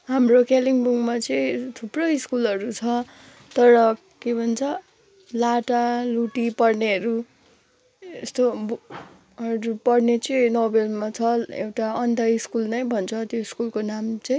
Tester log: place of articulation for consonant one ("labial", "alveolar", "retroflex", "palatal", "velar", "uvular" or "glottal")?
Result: glottal